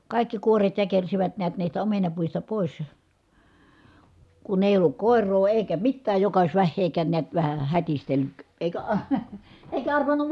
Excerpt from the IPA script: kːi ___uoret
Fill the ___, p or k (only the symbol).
k